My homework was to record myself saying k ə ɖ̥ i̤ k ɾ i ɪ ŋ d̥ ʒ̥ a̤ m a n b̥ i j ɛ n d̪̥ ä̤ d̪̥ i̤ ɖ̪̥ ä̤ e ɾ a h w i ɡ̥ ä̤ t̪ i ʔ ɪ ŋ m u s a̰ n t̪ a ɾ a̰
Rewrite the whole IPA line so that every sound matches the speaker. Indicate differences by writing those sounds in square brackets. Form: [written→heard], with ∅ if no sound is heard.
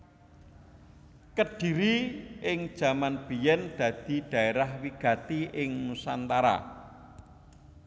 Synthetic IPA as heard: k ə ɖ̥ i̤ [k→∅] ɾ i ɪ ŋ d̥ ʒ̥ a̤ m a n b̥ i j ɛ n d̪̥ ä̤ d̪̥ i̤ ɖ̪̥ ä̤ e ɾ a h w i ɡ̥ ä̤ t̪ i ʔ ɪ ŋ m u s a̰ n t̪ a ɾ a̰